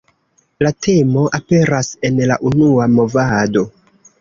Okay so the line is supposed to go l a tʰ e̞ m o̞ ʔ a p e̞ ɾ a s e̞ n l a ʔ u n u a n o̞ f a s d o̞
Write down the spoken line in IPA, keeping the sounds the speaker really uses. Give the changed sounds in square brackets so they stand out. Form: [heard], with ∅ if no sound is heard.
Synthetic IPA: l a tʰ e̞ m o̞ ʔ a p e̞ ɾ a s e̞ n l a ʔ u n u a [m] o̞ [v] a [∅] d o̞